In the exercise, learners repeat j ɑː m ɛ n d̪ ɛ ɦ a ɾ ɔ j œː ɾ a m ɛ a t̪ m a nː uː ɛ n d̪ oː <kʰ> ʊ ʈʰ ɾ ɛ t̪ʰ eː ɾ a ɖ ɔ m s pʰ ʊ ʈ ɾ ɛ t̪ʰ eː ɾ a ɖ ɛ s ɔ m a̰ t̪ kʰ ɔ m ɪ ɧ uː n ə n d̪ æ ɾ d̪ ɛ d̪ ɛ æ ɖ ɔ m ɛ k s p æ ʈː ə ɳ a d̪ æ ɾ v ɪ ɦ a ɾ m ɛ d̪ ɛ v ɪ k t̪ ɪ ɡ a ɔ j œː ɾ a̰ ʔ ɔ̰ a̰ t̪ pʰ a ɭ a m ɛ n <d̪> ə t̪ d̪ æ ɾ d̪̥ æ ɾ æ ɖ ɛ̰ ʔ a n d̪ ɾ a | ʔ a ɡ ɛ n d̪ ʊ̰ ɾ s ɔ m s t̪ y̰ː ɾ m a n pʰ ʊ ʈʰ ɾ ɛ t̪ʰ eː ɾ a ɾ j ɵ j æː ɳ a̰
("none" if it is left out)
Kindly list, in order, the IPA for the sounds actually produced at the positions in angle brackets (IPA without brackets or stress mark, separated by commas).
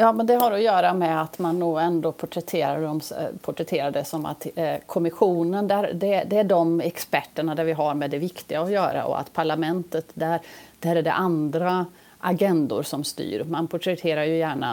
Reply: pʰ, t̪